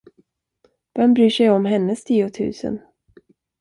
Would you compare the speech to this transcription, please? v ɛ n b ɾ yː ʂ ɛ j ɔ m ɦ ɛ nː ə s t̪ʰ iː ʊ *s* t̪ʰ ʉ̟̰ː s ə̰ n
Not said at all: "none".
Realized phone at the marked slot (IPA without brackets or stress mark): none